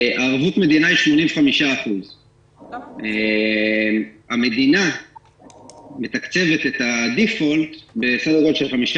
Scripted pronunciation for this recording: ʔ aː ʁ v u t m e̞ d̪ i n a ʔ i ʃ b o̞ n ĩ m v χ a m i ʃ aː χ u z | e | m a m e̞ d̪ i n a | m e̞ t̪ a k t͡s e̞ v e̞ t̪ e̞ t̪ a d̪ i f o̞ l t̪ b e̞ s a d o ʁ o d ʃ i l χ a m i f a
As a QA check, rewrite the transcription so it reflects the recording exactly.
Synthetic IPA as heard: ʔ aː ʁ v u t m e̞ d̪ i n a i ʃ m o̞ n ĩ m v χ a m i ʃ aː χ u z | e | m a m e̞ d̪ i n a | m e̞ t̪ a k t͡s e̞ v e̞ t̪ e̞ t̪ a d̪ i f o̞ l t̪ b e̞ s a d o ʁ o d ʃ e l χ a m i ʃ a